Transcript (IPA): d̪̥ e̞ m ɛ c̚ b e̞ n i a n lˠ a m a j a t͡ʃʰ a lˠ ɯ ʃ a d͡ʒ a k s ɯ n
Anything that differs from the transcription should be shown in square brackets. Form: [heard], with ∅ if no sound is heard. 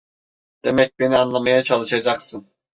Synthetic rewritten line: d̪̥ e̞ m ɛ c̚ b e̞ n i a n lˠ a m a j a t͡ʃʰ a lˠ ɯ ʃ a d͡ʒ a k s ɯ n